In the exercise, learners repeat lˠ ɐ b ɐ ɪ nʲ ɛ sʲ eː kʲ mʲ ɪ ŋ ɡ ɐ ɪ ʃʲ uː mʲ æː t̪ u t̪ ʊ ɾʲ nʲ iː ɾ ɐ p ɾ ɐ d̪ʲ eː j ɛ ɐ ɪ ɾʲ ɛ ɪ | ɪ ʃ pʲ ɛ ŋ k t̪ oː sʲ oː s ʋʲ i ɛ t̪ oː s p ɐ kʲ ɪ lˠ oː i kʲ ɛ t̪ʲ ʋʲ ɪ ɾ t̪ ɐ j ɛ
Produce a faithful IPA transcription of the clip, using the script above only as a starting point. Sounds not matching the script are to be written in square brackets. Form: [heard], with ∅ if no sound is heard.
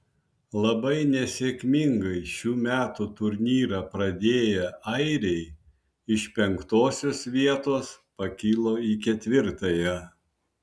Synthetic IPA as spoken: lˠ ɐ b ɐ ɪ nʲ ɛ sʲ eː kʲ mʲ ɪ ŋ ɡ ɐ ɪ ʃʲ uː mʲ æː t̪ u t̪ ʊ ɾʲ nʲ iː ɾ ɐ p ɾ ɐ d̪ʲ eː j ɛ ɐ ɪ ɾʲ ɛ ɪ | ɪ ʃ pʲ ɛ ŋ k t̪ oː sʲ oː s ʋʲ i ɛ t̪ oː s p ɐ kʲ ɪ lˠ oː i kʲ ɛ t̪ʲ ʋʲ ɪ ɾ t̪ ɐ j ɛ